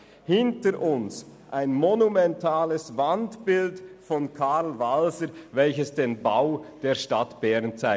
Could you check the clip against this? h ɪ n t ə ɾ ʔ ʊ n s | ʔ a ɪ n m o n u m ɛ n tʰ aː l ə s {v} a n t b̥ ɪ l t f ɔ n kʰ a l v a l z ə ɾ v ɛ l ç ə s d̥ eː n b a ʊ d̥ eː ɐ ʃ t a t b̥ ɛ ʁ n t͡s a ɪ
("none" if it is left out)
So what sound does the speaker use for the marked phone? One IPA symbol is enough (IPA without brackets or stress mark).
v